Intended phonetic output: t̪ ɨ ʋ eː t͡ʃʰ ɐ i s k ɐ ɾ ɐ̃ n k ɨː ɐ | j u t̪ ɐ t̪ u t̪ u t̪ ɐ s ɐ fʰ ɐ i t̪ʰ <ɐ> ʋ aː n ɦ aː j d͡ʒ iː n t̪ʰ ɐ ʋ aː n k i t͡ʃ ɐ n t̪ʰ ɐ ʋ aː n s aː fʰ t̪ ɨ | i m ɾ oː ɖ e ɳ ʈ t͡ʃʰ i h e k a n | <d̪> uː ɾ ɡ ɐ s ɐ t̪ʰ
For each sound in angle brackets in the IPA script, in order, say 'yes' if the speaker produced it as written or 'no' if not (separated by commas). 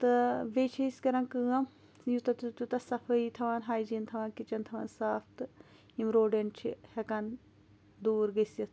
yes, yes